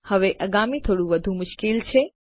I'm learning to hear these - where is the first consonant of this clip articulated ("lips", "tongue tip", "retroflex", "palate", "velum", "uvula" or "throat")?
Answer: throat